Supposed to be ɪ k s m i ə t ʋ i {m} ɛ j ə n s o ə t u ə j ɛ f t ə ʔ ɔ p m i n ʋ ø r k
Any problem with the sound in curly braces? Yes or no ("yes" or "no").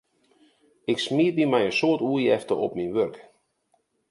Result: no